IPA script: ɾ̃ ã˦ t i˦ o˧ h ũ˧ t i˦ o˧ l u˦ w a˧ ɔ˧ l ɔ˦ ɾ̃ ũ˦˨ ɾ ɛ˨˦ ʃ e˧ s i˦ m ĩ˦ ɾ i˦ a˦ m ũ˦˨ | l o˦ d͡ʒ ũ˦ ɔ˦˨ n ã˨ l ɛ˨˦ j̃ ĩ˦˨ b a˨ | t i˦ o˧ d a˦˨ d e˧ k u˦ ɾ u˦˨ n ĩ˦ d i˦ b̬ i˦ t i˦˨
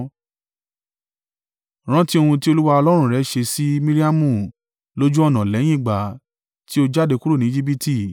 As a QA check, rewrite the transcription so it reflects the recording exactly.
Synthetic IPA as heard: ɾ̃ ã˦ t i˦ o˧ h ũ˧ t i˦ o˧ l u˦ w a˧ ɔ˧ l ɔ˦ ɾ̃ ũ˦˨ ɾ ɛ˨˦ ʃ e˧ s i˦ m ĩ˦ ɾ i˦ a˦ m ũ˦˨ | l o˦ d͡ʒ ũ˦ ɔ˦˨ n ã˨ l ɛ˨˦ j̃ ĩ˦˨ ɡ͡b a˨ | t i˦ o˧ d͡ʒ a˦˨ d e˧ k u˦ ɾ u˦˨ n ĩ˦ d͡ʒ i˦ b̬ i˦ t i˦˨